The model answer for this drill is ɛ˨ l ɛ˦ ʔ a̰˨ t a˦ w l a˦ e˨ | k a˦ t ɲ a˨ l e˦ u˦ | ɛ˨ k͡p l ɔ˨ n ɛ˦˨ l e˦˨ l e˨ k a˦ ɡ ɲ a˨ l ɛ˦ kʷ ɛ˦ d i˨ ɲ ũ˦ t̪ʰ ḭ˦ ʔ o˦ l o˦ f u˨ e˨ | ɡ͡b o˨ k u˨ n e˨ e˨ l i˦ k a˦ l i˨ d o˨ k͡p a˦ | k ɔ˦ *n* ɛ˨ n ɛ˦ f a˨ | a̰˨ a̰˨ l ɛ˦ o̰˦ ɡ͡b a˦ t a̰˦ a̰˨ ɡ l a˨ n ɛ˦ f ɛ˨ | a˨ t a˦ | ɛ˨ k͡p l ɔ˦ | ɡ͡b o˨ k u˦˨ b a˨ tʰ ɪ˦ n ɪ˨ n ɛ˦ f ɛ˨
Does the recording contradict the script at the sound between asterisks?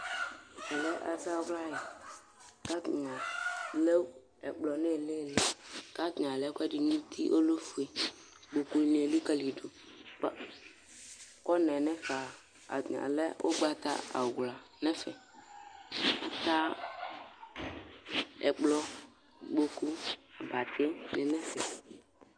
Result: no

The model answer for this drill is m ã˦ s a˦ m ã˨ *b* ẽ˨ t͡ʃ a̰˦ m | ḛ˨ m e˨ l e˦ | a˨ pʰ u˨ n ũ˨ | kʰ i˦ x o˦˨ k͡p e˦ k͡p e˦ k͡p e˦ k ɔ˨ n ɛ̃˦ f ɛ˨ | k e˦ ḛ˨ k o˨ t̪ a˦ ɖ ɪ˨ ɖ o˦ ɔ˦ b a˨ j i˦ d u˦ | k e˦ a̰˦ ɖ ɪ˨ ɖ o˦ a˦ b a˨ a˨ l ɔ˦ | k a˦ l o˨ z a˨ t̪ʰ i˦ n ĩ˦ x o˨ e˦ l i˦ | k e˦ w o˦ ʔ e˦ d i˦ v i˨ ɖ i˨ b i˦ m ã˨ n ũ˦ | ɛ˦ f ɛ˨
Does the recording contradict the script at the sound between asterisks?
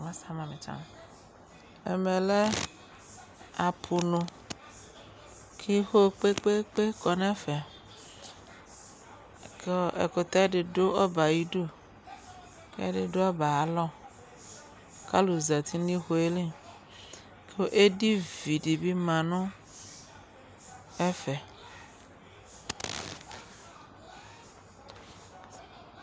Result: yes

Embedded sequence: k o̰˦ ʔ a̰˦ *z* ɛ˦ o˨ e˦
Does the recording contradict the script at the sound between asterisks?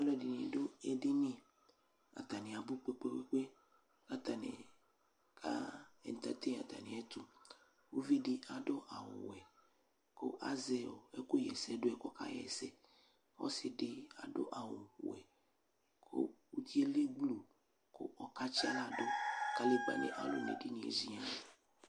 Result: no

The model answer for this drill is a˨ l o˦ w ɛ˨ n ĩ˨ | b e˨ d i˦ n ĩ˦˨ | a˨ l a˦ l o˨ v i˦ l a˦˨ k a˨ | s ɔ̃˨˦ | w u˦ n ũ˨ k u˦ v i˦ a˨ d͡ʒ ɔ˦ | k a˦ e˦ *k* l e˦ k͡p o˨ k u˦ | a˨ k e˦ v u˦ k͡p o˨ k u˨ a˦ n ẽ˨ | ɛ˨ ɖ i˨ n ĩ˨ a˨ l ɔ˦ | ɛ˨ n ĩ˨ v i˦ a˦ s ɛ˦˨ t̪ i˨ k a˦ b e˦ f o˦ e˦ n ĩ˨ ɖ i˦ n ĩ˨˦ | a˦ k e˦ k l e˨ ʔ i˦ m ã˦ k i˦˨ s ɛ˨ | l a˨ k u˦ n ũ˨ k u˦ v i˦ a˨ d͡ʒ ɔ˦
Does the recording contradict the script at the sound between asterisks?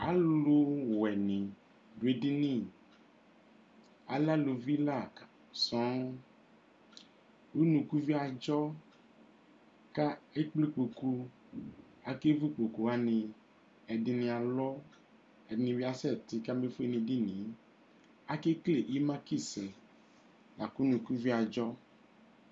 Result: yes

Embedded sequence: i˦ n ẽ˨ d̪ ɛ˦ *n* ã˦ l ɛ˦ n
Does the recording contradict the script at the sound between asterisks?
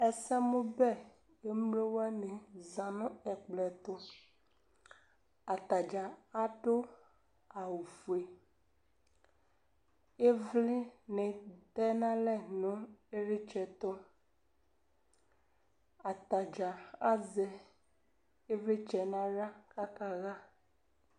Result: no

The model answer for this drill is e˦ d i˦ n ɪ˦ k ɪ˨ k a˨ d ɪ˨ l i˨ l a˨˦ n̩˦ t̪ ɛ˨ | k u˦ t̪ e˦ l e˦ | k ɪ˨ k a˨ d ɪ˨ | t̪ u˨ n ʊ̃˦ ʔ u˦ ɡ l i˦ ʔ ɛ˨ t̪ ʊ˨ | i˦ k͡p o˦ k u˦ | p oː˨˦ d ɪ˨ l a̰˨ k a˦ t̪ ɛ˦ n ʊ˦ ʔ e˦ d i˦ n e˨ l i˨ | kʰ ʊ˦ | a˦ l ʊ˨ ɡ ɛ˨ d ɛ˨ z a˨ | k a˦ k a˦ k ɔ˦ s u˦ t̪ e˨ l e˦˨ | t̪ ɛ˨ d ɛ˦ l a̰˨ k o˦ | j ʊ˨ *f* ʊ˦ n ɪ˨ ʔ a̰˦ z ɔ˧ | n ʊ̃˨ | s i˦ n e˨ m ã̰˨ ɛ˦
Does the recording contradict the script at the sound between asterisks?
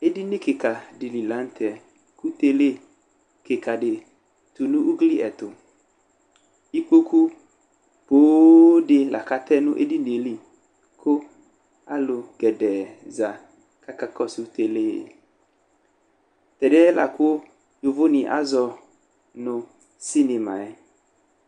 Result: yes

